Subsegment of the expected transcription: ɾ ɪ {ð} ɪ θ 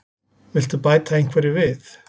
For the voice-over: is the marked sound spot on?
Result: no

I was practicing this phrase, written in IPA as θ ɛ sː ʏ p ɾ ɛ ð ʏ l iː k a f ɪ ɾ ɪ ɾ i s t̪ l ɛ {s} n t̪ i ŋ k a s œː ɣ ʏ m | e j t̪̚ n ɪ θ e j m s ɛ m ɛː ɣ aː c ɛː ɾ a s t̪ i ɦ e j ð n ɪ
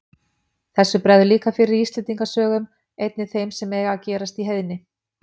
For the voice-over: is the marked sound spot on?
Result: no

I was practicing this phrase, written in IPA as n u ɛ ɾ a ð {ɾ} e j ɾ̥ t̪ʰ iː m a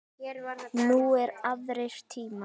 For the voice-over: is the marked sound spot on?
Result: yes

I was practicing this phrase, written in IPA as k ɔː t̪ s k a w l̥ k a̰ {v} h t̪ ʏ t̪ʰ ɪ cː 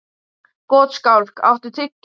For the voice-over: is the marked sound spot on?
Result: no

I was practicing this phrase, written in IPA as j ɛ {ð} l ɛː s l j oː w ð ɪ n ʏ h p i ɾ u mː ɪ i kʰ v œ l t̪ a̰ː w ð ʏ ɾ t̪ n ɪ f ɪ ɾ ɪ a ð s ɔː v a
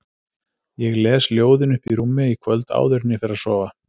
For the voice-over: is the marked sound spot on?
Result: no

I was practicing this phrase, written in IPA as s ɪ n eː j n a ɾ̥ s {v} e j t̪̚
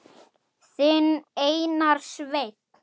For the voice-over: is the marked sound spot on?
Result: yes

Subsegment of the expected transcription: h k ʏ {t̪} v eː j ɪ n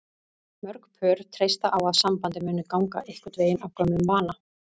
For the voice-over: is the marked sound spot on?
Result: yes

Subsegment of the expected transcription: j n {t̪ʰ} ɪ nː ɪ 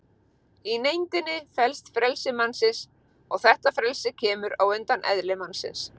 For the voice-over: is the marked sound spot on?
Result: no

